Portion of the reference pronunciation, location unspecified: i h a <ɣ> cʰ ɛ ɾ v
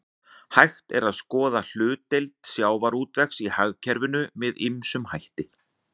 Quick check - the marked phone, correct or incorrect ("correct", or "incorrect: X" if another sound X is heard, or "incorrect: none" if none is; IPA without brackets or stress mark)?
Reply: correct